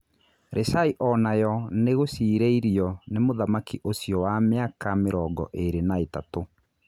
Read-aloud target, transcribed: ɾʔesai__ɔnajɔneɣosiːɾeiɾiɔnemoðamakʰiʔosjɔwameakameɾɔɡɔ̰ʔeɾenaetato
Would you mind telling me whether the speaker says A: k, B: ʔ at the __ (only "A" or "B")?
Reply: B